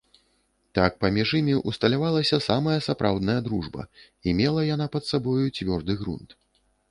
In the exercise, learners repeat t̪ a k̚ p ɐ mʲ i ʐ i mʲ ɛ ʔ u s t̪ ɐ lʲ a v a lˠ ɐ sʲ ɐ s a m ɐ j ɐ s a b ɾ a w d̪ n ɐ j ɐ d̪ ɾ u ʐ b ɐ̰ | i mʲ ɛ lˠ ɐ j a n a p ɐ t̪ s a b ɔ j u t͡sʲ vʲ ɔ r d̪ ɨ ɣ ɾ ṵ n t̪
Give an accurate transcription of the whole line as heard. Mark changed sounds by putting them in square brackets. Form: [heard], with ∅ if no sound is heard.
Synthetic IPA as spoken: t̪ a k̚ p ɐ mʲ i ʐ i mʲ [i] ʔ u s t̪ ɐ lʲ a v a lˠ ɐ sʲ ɐ s a m ɐ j ɐ s a [p] ɾ a w d̪ n ɐ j ɐ d̪ ɾ u ʐ b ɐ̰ | i mʲ ɛ lˠ ɐ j a n a p ɐ t̪ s a b ɔ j u t͡sʲ vʲ ɔ r d̪ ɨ ɣ ɾ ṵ n t̪